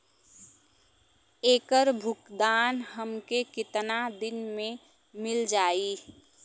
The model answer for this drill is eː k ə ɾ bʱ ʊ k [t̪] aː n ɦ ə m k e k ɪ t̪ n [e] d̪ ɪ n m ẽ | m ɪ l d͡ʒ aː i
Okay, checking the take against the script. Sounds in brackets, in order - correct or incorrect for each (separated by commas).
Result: incorrect, incorrect